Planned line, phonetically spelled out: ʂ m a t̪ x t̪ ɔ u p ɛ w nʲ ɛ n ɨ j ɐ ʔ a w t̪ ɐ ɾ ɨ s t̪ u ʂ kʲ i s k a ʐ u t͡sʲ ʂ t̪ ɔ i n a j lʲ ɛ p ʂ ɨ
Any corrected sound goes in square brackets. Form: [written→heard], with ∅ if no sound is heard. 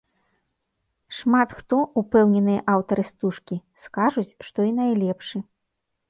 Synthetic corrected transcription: ʂ m a t̪ x t̪ ɔ u p ɛ w nʲ ɛ n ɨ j ɐ ʔ a w t̪ ɐ ɾ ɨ s t̪ u ʂ kʲ i s k a ʐ u t͡sʲ ʂ t̪ ɔ i n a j lʲ ɛ p ʂ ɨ